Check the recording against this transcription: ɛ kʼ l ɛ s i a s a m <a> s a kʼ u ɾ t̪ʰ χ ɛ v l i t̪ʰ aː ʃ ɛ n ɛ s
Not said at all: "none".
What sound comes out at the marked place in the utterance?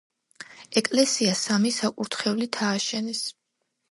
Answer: i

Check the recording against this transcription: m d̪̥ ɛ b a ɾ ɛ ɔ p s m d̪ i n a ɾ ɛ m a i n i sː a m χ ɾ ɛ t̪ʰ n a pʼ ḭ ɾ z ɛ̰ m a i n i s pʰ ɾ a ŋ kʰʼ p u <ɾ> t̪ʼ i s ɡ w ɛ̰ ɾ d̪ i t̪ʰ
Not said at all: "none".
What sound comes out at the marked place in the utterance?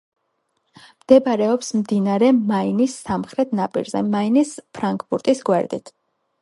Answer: ɾ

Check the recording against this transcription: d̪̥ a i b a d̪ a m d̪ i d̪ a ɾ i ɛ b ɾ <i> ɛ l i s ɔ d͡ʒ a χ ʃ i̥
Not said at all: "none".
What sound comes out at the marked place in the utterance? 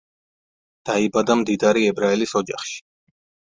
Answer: a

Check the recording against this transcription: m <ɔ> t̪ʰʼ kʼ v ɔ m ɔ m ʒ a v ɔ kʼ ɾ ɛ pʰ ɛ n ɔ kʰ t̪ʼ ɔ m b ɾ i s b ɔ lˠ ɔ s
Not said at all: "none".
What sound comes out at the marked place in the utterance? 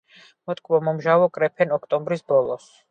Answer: ɔ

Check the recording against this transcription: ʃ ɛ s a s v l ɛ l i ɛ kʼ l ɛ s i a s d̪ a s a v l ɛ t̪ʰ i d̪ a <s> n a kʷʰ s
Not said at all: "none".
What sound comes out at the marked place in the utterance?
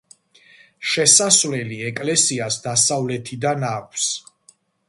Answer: none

